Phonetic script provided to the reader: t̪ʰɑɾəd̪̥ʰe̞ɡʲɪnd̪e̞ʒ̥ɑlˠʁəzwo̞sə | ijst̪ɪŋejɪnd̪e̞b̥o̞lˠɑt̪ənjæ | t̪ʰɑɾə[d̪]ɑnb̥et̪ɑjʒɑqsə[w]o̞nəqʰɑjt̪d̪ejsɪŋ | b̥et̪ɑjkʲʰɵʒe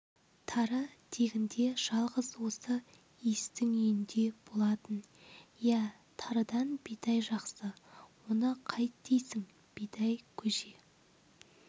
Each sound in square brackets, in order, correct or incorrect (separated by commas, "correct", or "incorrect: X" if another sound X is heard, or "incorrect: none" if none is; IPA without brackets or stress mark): correct, correct